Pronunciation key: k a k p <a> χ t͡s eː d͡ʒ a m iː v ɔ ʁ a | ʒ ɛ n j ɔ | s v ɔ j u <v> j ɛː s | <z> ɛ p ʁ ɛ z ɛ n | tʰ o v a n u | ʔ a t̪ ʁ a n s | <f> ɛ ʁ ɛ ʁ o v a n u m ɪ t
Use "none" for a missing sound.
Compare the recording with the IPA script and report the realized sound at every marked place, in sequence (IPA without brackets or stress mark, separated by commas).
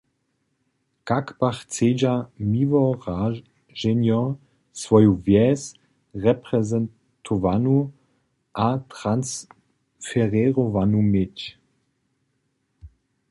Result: a, v, ʁ, f